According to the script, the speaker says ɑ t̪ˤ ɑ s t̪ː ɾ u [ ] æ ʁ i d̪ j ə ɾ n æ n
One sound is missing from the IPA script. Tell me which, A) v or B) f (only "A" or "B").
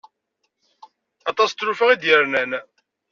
B